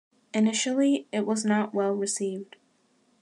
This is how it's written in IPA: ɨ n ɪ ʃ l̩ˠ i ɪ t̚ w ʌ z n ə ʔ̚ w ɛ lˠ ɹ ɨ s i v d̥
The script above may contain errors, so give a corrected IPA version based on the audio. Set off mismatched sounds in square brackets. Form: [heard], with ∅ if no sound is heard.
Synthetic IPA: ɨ n ɪ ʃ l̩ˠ i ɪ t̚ w ʌ z n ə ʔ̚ w ɛ lˠ ɹ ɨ s i v d̥